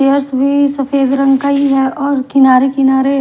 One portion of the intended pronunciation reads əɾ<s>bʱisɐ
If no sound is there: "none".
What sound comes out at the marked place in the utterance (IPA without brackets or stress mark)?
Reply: s